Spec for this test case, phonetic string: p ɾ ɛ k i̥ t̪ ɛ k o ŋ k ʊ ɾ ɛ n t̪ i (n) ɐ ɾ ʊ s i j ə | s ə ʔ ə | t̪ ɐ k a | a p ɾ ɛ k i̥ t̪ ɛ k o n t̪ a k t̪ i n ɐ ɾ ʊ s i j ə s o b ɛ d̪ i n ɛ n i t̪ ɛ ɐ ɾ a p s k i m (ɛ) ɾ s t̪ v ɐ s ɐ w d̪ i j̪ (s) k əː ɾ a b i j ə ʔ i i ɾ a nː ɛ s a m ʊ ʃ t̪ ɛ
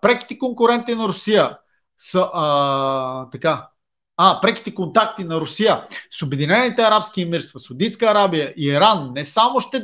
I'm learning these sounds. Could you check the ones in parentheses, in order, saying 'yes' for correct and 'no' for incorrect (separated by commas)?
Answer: yes, no, yes